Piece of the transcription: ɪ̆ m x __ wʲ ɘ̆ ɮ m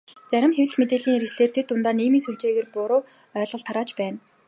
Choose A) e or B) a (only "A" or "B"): A